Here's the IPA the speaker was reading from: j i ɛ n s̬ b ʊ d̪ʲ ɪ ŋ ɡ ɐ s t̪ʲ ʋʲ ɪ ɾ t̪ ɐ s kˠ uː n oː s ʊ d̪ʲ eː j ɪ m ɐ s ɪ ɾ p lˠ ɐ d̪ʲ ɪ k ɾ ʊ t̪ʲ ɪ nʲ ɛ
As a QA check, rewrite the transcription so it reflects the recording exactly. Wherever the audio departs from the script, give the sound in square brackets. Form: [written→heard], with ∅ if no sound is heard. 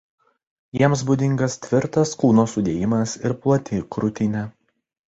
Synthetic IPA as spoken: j i ɛ [n→m] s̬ b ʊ d̪ʲ ɪ ŋ ɡ ɐ s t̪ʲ ʋʲ ɪ ɾ t̪ ɐ s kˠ uː n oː s ʊ d̪ʲ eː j ɪ m ɐ s ɪ ɾ p lˠ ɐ [d̪ʲ→t̪ʲ] ɪ k ɾ ʊ t̪ʲ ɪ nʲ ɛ

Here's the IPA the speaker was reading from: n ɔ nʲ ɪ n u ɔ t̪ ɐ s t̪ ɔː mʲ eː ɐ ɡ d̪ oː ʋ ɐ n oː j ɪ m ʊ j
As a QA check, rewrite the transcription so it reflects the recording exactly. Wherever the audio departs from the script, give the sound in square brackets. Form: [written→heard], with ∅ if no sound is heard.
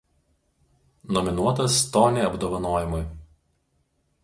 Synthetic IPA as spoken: n ɔ [nʲ→mʲ] ɪ n u ɔ t̪ ɐ s t̪ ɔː [mʲ→nʲ] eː ɐ [ɡ→b] d̪ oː ʋ ɐ n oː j ɪ m ʊ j

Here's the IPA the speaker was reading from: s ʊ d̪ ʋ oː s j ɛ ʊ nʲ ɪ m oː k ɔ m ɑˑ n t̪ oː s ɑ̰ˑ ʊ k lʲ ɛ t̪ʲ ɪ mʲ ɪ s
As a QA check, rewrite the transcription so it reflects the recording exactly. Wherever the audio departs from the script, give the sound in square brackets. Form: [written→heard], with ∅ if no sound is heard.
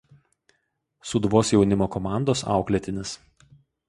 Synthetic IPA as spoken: s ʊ d̪ ʋ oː s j ɛ ʊ nʲ ɪ m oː k ɔ m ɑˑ n [t̪→d̪] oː s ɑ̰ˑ ʊ k lʲ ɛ t̪ʲ ɪ [mʲ→nʲ] ɪ s

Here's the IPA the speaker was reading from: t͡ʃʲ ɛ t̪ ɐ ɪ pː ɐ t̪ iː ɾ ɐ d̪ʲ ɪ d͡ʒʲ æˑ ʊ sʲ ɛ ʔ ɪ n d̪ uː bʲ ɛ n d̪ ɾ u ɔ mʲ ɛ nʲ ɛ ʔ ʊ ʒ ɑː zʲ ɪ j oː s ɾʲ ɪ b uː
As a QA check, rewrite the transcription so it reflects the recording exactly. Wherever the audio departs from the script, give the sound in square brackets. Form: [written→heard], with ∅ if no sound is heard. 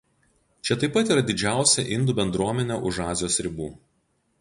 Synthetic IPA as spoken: t͡ʃʲ ɛ t̪ ɐ ɪ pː ɐ t̪ iː ɾ ɐ d̪ʲ ɪ d͡ʒʲ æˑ ʊ sʲ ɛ ʔ ɪ n d̪ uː bʲ ɛ n d̪ ɾ u ɔ mʲ ɛ nʲ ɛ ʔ ʊ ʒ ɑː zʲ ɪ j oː s ɾʲ ɪ b uː

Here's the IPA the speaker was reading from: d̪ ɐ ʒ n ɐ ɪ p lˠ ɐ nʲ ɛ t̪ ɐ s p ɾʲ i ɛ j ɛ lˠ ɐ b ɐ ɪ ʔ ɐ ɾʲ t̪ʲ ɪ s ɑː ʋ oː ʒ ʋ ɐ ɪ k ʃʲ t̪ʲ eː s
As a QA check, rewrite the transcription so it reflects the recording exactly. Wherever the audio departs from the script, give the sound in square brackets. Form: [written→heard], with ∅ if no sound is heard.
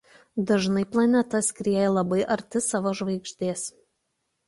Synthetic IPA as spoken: d̪ ɐ ʒ n ɐ ɪ p lˠ ɐ nʲ ɛ t̪ ɐ s [p→k] ɾʲ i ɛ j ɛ lˠ ɐ b ɐ ɪ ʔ ɐ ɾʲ t̪ʲ ɪ s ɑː ʋ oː ʒ ʋ ɐ ɪ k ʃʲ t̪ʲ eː s

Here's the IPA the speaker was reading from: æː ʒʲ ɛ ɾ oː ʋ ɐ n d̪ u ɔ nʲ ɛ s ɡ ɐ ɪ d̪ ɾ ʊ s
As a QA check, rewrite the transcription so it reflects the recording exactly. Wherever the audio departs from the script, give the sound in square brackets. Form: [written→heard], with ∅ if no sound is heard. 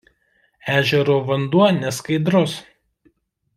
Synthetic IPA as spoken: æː ʒʲ ɛ ɾ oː ʋ ɐ n d̪ u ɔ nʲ ɛ s [ɡ→k] ɐ ɪ d̪ ɾ ʊ s

